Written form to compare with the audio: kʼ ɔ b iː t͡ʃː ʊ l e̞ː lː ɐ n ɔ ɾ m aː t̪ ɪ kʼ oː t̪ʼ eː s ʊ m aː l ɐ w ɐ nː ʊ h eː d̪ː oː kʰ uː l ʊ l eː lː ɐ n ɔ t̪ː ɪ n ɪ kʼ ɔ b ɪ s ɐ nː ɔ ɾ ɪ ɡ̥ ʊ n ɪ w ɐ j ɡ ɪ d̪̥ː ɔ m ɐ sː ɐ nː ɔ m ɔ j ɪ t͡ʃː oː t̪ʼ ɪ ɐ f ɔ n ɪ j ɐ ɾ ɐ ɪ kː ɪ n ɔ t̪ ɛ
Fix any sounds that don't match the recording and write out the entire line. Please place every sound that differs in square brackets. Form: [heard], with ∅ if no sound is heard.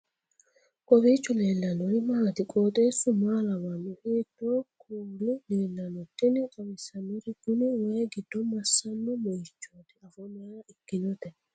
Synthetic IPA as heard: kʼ ɔ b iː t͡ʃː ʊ l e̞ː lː ɐ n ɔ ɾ m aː t̪ ɪ kʼ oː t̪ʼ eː s ʊ m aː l ɐ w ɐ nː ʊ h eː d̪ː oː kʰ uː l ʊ l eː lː ɐ n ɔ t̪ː ɪ n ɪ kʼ ɔ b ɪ s ɐ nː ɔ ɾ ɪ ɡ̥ ʊ n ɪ w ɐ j ɡ ɪ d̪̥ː ɔ m ɐ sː ɐ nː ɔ m ɔ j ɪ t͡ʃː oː [t̪] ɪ ɐ f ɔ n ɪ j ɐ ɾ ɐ ɪ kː ɪ n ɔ t̪ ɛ

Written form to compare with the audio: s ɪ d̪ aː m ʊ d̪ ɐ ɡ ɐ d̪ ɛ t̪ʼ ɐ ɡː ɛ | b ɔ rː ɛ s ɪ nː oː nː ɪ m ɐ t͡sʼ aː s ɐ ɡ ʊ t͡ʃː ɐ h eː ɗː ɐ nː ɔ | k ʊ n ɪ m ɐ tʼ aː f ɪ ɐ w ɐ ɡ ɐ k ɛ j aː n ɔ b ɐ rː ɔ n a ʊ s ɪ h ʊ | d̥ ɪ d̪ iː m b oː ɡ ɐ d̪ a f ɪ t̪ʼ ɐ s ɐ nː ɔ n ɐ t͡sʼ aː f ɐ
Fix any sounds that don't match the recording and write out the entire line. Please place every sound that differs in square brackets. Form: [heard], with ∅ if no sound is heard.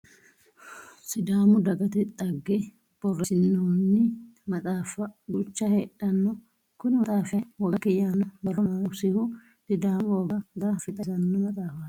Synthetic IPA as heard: s ɪ d̪ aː m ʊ d̪ ɐ ɡ ɐ [t̪] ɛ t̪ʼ ɐ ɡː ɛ | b ɔ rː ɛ s ɪ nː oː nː ɪ m ɐ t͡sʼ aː [f] ɐ ɡ ʊ t͡ʃː ɐ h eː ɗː ɐ nː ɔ | k ʊ n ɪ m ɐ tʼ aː f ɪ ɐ w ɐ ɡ ɐ k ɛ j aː n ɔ b ɐ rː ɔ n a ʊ s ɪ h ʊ | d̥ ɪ d̪ [aː] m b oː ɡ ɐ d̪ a f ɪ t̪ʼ ɐ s ɐ nː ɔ [m] ɐ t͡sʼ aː f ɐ

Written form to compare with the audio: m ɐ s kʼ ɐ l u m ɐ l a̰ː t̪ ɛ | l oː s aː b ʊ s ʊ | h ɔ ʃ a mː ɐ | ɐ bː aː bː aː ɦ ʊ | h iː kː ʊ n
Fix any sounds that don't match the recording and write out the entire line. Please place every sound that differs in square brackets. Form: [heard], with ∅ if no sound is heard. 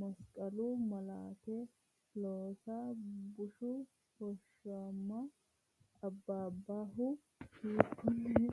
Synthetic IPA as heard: m ɐ s kʼ ɐ l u m ɐ l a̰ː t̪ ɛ | l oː s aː b ʊ [ʃ] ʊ | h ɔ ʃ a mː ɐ | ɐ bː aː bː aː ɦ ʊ | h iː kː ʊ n

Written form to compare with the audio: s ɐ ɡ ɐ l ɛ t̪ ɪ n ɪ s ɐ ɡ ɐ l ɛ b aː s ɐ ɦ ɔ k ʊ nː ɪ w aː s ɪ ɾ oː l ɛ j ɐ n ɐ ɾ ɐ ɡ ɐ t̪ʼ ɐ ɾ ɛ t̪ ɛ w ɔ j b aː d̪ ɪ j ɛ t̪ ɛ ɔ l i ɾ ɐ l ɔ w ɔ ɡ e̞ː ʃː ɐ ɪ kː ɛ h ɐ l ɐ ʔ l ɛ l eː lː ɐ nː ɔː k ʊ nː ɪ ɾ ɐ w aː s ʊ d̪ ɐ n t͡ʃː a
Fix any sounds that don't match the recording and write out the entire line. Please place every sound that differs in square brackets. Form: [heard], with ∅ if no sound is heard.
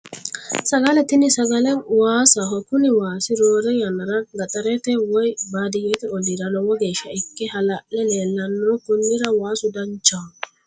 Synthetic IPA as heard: s ɐ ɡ ɐ l ɛ t̪ ɪ n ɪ s ɐ ɡ ɐ l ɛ [w] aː s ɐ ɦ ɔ k ʊ [n] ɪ w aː s ɪ ɾ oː [ɾ] ɛ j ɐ n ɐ ɾ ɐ ɡ ɐ t̪ʼ ɐ ɾ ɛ t̪ ɛ w ɔ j b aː d̪ ɪ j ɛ t̪ ɛ ɔ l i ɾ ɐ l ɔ w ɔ ɡ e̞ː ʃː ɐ ɪ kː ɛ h ɐ l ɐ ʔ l ɛ l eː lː ɐ nː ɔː k ʊ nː ɪ ɾ ɐ w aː s ʊ d̪ ɐ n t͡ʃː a

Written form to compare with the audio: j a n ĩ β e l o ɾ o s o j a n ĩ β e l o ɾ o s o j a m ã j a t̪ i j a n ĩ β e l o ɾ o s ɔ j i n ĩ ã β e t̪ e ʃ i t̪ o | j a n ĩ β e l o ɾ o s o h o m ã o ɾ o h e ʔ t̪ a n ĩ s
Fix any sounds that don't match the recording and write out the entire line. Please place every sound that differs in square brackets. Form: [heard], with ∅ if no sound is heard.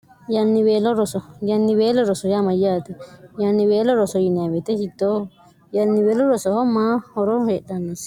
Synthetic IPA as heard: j a n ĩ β e l o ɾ o s o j a n ĩ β e l o ɾ o s o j a m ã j a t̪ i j a n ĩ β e l o ɾ o s [o] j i n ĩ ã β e t̪ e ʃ i t̪ o | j a n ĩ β e l o ɾ o s o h o m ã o ɾ o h e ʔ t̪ a n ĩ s

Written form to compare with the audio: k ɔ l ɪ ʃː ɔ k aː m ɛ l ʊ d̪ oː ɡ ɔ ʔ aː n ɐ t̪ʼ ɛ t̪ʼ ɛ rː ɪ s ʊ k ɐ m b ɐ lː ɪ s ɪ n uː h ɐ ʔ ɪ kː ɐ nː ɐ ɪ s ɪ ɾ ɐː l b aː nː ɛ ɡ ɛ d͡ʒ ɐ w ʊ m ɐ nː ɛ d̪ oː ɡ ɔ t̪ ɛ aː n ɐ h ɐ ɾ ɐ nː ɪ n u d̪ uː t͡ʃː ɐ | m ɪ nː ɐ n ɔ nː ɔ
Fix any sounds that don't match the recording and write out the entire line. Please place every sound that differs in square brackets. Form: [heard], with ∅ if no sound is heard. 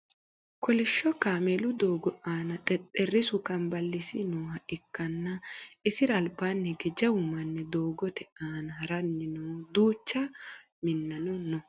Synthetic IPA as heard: k ɔ l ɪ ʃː ɔ k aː m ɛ l ʊ d̪ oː ɡ ɔ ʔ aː n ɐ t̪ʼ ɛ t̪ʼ ɛ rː ɪ s ʊ k ɐ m b ɐ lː ɪ s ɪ n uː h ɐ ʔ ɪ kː ɐ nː ɐ ɪ s ɪ ɾ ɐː l b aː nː ɛ ɡ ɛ d͡ʒ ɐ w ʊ m ɐ nː ɛ d̪ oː ɡ ɔ t̪ ɛ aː n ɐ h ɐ ɾ ɐ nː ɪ n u d̪ uː t͡ʃː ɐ | m ɪ nː ɐ n ɔ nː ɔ

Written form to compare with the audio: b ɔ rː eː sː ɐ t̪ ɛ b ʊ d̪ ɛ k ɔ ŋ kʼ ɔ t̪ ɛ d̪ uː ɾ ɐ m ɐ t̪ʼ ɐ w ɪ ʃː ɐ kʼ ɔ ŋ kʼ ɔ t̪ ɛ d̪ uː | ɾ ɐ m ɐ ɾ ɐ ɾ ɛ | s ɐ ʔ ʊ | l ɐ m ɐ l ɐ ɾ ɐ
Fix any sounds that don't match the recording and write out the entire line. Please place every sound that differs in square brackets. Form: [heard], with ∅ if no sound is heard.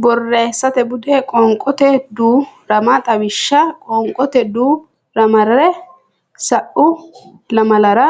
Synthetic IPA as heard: b ɔ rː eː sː ɐ t̪ ɛ b ʊ d̪ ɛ [kʼ] ɔ ŋ kʼ ɔ t̪ ɛ d̪ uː ɾ ɐ m ɐ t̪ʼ ɐ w ɪ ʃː ɐ kʼ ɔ ŋ kʼ ɔ t̪ ɛ d̪ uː | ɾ ɐ m ɐ ɾ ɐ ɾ ɛ | s ɐ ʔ ʊ | l ɐ m ɐ l ɐ ɾ ɐ

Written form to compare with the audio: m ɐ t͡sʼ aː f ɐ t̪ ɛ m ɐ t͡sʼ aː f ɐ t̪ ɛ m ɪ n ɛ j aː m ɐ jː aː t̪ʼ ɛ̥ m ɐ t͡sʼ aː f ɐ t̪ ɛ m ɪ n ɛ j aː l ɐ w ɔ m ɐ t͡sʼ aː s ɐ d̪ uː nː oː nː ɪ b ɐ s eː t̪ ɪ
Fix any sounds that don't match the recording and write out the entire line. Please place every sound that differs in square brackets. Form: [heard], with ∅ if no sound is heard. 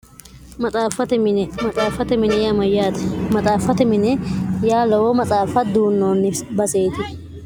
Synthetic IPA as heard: m ɐ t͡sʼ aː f ɐ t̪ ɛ m ɐ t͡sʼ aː f ɐ t̪ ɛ m ɪ n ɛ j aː m ɐ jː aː [t̪] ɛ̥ m ɐ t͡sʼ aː f ɐ t̪ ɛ m ɪ n ɛ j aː l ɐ w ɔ m ɐ t͡sʼ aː [f] ɐ d̪ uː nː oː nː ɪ b ɐ s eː t̪ ɪ

